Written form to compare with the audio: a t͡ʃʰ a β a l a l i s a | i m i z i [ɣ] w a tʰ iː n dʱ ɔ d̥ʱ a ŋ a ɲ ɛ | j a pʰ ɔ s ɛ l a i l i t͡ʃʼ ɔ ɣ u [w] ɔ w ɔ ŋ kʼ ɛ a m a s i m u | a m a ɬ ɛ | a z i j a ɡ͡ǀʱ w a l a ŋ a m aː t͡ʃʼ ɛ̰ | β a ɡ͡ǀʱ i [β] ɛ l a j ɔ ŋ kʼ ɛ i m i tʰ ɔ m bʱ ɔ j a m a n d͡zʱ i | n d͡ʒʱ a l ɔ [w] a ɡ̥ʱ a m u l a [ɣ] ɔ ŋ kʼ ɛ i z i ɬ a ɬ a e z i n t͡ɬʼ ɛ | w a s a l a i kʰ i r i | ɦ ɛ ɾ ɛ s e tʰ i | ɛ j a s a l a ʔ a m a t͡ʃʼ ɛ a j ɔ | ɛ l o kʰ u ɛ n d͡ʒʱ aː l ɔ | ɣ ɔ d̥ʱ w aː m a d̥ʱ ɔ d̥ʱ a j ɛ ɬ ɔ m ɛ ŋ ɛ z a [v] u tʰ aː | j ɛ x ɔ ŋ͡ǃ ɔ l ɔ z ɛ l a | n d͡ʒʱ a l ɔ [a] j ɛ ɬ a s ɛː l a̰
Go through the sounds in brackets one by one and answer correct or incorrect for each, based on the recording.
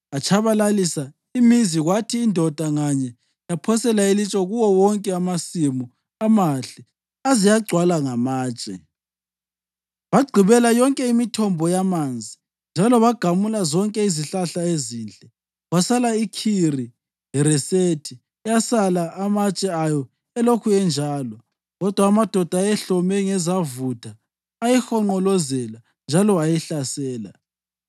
correct, correct, correct, incorrect: β, incorrect: z, correct, correct

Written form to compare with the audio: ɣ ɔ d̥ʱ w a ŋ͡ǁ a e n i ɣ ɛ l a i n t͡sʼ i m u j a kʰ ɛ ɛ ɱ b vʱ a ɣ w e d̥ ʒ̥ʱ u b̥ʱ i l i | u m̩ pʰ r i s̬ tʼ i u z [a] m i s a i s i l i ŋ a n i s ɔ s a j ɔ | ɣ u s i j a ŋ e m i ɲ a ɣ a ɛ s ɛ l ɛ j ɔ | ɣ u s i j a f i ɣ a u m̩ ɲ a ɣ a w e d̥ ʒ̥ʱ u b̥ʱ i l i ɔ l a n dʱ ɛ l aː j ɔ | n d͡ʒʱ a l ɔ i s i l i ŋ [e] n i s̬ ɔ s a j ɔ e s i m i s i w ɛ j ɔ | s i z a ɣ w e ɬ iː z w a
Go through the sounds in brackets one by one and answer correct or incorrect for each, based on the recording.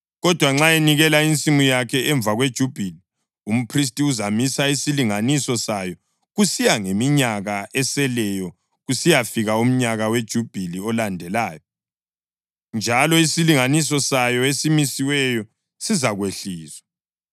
correct, incorrect: a

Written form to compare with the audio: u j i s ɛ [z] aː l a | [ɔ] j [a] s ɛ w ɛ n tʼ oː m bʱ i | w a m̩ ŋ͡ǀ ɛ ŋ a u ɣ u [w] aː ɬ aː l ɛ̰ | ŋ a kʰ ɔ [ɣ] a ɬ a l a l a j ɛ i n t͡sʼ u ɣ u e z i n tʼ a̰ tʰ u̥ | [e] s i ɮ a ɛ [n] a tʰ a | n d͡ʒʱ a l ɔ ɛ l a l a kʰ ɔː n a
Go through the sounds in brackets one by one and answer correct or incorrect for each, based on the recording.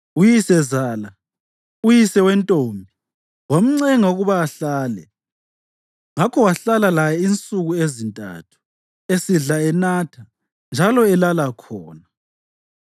correct, incorrect: u, incorrect: i, incorrect: β, incorrect: w, correct, correct

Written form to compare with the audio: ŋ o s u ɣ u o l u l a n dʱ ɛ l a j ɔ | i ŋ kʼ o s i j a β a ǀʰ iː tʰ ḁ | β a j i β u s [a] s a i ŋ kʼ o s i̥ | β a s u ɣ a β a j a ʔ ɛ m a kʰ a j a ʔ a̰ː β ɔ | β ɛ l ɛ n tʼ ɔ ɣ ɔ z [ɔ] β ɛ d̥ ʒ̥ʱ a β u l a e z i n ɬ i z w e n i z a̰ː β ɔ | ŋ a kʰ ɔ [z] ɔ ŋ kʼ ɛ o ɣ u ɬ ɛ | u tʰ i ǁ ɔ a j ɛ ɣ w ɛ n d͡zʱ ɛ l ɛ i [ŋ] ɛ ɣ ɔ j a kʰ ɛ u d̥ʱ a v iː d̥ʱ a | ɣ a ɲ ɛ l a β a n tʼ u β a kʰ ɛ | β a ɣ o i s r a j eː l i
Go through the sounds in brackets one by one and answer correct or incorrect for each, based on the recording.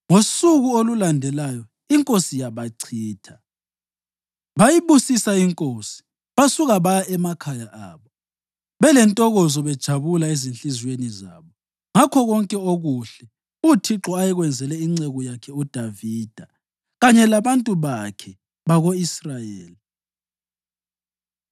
incorrect: i, correct, incorrect: ɣ, incorrect: ŋ͡ǀ

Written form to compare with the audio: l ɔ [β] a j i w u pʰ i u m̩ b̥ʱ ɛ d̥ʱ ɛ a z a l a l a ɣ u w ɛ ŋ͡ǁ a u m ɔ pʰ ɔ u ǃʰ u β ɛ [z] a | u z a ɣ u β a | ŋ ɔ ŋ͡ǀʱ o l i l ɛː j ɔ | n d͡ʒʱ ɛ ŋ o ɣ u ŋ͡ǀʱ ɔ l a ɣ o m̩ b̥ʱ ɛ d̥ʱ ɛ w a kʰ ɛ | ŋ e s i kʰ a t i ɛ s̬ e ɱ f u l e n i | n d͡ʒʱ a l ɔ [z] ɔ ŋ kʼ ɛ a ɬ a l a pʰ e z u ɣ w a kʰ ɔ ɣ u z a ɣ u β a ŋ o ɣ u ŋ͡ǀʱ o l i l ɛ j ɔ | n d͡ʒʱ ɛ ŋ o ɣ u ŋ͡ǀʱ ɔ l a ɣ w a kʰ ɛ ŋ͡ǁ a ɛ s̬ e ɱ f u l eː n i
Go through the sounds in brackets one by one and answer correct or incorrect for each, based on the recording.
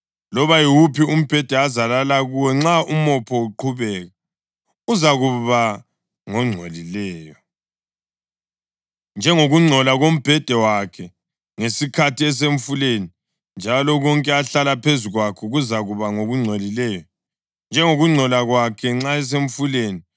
correct, incorrect: ɣ, incorrect: ɣ

